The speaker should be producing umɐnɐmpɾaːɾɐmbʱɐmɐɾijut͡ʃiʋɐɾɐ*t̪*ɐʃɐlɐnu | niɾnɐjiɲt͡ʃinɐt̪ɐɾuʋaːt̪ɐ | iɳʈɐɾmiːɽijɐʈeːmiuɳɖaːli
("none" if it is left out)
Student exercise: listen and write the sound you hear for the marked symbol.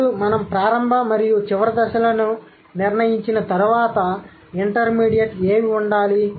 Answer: d̪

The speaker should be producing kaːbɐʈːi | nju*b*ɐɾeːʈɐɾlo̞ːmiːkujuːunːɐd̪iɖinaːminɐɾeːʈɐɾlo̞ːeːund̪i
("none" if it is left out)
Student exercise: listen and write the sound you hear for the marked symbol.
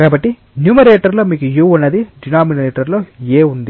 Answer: m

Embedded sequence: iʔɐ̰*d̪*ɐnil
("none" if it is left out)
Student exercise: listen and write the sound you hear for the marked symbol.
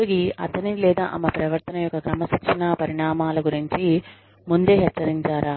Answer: t̪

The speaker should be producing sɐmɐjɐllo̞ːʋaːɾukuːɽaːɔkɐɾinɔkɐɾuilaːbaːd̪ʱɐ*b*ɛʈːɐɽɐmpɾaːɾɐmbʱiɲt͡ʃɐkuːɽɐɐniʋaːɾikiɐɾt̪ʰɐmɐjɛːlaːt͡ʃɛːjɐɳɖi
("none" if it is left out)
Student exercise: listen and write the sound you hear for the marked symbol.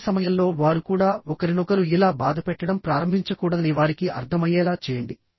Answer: p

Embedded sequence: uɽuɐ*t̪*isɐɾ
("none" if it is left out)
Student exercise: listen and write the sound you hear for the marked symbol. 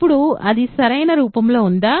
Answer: d̪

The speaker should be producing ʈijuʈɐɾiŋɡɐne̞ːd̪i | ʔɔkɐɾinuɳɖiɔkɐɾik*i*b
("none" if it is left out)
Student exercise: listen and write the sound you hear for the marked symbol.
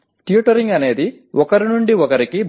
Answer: i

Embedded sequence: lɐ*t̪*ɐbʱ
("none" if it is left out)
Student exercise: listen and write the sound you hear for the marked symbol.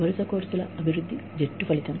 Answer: none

